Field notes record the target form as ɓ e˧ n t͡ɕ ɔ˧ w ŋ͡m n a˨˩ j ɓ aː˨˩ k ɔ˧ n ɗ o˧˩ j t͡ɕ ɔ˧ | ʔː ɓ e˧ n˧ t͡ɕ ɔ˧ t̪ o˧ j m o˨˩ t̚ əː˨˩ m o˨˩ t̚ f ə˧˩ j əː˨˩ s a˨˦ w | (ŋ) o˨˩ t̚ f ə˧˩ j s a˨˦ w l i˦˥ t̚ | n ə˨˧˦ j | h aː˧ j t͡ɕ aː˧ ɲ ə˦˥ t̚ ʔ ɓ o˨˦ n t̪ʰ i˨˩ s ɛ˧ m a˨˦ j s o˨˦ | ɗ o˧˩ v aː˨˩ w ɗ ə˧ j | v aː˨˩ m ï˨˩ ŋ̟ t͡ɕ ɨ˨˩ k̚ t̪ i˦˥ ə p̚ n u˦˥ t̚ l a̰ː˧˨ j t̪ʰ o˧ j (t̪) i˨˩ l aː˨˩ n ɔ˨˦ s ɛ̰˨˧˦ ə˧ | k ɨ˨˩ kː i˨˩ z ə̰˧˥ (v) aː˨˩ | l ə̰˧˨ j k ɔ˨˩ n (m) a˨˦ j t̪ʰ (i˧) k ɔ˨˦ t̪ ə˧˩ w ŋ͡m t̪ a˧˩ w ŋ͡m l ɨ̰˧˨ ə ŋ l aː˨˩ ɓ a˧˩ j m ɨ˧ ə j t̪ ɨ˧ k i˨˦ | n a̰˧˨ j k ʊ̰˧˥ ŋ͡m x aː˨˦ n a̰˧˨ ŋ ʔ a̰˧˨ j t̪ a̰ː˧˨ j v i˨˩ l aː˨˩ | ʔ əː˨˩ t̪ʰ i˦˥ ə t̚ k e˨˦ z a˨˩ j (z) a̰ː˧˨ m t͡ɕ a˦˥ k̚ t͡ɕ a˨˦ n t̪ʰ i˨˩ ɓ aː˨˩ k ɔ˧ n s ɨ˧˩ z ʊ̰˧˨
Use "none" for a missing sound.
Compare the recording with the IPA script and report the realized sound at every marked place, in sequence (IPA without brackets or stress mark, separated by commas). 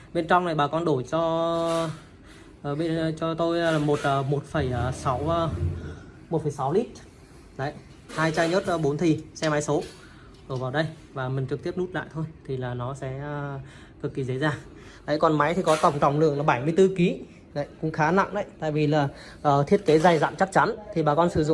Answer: m, t̪ʰ, z, m, i˨˩, z